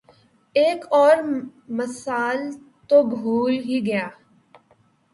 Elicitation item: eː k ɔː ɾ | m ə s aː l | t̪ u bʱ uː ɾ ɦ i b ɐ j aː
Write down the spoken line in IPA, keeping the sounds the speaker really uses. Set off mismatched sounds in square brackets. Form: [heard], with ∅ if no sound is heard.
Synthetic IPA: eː k ɔː ɾ | m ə s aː l | t̪ [o] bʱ uː [l] ɦ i [ɡ] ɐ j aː